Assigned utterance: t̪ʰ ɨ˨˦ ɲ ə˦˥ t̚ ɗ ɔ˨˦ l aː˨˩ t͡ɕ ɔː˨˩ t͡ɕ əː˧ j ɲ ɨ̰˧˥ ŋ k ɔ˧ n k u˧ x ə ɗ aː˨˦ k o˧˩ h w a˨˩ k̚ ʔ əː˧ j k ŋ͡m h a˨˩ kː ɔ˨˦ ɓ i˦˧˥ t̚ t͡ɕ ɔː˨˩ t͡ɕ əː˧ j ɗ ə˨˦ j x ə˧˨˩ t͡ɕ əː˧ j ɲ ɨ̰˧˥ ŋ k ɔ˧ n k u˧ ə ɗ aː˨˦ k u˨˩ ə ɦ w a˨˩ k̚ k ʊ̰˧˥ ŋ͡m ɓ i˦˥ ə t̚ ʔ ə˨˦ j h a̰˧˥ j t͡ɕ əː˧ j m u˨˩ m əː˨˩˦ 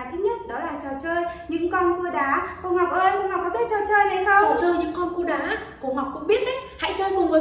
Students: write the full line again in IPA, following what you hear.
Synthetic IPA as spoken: t̪ʰ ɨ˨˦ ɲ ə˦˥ t̚ ɗ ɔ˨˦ l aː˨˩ t͡ɕ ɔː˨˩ t͡ɕ əː˧ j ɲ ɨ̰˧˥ ŋ k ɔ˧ n k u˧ ə ɗ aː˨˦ k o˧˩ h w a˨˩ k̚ ʔ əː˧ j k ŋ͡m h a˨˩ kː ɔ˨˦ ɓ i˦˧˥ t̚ t͡ɕ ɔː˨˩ t͡ɕ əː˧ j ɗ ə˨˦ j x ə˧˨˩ t͡ɕ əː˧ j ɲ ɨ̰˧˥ ŋ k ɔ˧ n k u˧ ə ɗ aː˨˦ k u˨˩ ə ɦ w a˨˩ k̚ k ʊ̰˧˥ ŋ͡m ɓ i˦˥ ə t̚ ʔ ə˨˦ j h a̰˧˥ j t͡ɕ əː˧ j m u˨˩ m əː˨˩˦